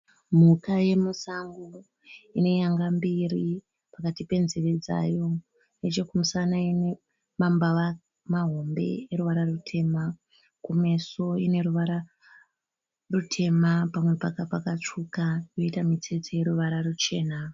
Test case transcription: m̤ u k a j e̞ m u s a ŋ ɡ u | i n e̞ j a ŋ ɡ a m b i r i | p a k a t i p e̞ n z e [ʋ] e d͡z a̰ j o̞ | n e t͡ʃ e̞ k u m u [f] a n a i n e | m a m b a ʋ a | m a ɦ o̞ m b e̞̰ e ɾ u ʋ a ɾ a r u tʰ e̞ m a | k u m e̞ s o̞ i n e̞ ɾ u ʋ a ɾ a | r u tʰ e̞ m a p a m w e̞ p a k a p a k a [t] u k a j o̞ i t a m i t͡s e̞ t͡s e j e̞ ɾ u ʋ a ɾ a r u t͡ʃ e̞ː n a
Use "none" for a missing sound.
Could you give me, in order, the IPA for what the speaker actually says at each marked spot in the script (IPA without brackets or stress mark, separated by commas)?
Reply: ʋ, s, t͡ʂ